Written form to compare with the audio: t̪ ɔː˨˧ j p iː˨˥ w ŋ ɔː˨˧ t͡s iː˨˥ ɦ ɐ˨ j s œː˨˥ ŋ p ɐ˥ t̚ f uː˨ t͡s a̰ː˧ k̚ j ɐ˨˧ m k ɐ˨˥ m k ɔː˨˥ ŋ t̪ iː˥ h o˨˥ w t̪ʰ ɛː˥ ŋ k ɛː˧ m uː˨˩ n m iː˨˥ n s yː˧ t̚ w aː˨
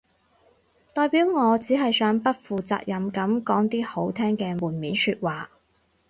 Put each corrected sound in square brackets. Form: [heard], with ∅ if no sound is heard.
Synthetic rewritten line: t̪ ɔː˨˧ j p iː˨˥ w ŋ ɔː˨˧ t͡s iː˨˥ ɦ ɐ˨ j s œː˨˥ ŋ p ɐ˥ t̚ f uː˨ t͡s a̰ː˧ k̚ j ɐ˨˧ m k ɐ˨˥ m k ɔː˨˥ ŋ t̪ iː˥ h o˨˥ w t̪ʰ ɛː˥ ŋ k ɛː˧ m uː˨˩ n m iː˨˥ n s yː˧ t̚ w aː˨